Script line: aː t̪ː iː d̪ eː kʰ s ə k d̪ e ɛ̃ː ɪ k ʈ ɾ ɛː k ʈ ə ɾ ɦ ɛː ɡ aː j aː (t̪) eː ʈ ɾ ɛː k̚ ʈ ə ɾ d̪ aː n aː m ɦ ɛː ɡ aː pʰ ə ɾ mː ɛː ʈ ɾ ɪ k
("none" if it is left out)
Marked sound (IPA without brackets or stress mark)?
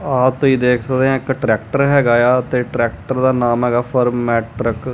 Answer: t̪